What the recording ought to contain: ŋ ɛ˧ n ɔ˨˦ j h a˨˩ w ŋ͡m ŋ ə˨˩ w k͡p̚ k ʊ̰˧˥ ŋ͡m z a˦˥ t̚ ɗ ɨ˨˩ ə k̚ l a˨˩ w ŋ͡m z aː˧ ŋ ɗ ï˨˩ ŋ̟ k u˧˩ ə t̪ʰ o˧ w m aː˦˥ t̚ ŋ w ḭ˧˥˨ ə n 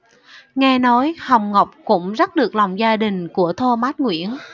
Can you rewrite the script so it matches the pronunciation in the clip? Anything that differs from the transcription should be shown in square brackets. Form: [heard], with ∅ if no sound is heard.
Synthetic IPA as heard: ŋ ɛ˧ n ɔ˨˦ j h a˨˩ w ŋ͡m ŋ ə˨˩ w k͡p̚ k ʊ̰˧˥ ŋ͡m z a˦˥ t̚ ɗ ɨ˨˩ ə k̚ l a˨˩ w ŋ͡m z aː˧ [∅] ɗ ï˨˩ ŋ̟ k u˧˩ ə t̪ʰ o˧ [∅] m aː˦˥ t̚ ŋ w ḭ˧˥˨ ə n